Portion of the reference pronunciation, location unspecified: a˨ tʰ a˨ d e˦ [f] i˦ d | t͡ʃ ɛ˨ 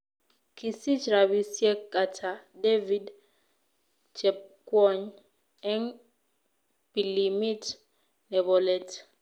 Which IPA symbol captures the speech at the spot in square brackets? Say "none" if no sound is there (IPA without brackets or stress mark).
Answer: v